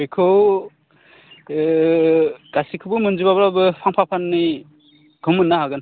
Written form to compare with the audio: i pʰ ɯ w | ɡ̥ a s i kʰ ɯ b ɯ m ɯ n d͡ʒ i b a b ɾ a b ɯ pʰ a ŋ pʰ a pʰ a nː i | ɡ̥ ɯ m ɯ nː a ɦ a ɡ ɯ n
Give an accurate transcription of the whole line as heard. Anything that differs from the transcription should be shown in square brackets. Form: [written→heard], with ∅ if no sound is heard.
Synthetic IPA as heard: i [pʰ→kʰ] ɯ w | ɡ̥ a s i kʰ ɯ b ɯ m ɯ n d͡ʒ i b a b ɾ a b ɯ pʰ a ŋ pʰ a pʰ a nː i | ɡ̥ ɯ m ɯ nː a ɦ a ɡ ɯ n